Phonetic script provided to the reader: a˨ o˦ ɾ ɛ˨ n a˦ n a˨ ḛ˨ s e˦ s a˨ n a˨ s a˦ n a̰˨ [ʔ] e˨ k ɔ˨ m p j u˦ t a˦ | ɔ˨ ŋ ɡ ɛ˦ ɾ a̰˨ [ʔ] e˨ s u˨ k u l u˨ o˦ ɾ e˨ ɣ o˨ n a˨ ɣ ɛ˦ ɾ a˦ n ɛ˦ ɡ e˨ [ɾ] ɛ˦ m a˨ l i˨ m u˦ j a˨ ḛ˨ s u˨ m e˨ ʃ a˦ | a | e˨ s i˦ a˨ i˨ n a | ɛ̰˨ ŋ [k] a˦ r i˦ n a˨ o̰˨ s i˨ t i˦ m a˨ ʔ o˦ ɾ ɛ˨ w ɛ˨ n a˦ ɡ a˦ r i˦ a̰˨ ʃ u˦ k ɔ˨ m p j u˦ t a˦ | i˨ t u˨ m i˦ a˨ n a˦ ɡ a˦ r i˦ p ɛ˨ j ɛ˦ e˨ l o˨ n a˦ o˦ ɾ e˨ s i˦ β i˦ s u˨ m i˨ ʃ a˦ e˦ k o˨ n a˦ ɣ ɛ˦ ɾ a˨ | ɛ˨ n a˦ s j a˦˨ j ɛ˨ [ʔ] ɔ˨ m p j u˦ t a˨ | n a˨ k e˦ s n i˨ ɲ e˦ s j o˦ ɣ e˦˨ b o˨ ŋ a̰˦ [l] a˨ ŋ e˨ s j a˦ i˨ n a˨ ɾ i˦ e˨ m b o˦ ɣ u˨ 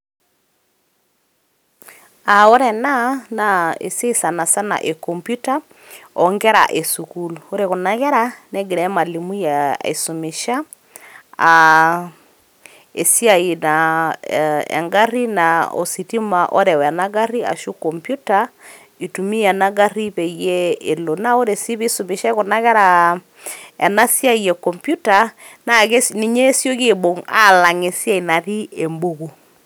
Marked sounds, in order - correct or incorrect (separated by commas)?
correct, correct, correct, incorrect, incorrect, correct